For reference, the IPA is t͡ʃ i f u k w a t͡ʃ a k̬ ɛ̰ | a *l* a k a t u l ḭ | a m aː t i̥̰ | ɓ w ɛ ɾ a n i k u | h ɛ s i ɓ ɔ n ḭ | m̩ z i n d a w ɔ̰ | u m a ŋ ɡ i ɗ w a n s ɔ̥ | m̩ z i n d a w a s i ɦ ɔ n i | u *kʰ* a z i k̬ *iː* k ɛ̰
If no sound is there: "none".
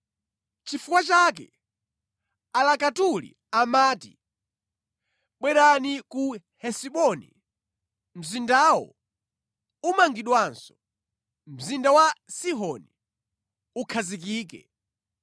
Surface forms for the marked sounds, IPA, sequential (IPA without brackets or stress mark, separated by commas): l, kʰ, iː